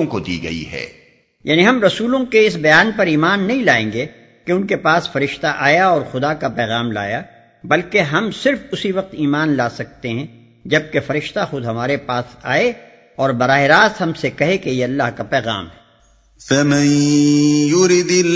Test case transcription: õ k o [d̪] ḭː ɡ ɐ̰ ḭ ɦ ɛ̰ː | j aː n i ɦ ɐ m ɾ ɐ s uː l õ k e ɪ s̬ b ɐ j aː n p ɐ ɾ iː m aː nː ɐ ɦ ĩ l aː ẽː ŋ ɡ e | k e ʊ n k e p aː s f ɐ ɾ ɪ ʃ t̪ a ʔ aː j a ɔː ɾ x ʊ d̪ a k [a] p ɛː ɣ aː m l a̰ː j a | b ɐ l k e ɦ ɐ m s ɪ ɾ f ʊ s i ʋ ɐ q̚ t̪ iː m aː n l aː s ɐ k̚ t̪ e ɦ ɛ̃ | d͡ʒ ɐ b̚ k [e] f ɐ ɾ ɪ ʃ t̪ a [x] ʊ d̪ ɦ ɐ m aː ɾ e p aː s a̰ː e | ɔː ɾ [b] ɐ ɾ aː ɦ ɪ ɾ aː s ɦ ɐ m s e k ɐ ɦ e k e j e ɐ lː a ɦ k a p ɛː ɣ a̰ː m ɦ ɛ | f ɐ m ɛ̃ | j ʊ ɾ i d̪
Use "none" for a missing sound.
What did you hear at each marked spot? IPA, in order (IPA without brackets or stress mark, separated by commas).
d̪, a, e, x, b